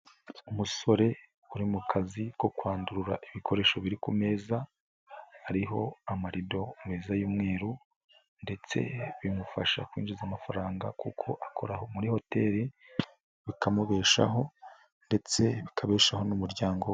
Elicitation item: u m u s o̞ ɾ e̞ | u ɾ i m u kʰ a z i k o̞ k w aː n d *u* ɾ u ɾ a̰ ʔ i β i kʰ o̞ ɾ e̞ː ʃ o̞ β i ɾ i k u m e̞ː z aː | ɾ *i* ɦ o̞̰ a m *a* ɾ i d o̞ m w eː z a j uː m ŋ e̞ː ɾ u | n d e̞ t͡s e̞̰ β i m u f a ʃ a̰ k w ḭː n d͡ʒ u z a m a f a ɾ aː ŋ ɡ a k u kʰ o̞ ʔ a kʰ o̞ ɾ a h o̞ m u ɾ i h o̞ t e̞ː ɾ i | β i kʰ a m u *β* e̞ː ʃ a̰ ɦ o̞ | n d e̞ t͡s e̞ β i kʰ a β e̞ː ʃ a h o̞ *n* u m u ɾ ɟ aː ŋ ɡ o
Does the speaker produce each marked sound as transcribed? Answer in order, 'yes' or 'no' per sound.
yes, yes, yes, yes, yes

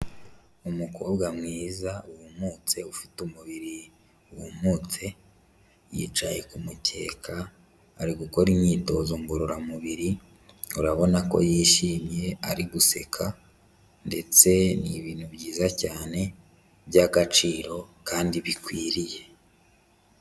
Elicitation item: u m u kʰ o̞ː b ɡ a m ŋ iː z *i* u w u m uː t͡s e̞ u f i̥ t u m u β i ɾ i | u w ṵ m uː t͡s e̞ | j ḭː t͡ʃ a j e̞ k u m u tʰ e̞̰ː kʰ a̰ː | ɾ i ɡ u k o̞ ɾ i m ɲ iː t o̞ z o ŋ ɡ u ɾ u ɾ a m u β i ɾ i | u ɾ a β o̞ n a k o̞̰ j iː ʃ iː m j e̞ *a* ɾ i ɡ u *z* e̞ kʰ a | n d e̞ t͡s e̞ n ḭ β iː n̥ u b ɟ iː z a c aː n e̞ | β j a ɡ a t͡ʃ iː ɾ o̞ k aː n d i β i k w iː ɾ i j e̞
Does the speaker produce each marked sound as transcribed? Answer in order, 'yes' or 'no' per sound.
no, yes, no

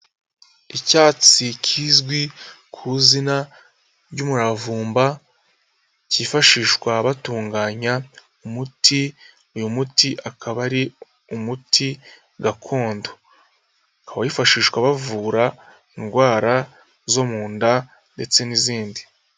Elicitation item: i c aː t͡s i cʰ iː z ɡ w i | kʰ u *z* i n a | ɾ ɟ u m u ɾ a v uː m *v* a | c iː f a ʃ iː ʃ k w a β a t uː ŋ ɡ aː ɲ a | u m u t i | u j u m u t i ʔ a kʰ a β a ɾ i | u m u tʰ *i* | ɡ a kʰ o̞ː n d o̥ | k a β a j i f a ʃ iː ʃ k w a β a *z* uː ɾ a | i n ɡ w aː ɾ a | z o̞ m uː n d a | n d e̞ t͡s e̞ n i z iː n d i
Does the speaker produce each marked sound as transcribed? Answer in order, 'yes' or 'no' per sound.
yes, no, yes, no

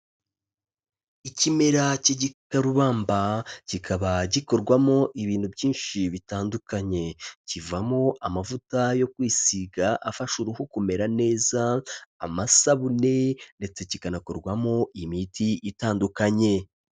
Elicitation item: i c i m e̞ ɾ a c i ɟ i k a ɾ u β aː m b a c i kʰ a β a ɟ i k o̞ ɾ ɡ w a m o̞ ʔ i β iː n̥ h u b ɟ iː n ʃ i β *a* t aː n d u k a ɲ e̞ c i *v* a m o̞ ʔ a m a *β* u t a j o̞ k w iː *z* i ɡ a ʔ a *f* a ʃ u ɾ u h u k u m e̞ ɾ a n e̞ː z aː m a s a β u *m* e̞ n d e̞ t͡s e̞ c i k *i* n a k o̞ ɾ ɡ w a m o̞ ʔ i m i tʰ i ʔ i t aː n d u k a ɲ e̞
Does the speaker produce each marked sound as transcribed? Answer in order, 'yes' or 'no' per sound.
no, yes, no, no, yes, no, no

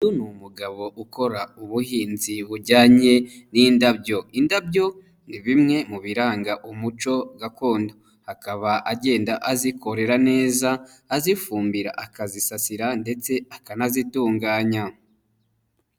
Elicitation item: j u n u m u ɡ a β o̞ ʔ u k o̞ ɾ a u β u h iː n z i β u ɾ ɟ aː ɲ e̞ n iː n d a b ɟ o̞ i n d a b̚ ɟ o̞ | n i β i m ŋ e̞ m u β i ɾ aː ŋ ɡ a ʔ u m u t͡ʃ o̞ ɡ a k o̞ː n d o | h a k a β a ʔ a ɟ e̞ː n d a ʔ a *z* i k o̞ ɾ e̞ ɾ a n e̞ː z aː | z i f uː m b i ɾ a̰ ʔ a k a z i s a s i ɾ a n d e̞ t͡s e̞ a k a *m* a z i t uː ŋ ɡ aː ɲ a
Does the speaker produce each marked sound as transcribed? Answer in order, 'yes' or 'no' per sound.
yes, no

